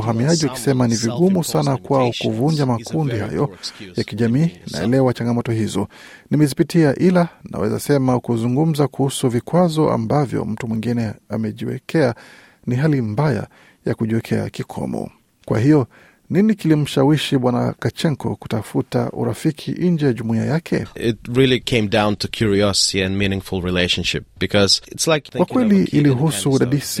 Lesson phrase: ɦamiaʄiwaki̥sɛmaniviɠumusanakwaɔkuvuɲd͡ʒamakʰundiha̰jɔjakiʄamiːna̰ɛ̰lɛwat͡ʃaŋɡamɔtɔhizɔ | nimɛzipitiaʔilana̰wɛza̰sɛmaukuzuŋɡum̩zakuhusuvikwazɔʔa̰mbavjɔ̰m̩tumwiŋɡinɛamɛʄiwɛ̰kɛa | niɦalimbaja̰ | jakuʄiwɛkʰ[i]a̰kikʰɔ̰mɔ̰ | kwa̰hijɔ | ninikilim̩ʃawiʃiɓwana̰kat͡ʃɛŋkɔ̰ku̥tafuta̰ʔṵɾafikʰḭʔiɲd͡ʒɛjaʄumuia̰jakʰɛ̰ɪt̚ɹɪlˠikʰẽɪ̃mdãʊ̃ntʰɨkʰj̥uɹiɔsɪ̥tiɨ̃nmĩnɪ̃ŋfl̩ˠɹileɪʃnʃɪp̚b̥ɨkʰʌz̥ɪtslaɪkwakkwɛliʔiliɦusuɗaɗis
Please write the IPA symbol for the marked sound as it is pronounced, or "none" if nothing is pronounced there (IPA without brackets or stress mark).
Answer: ɛ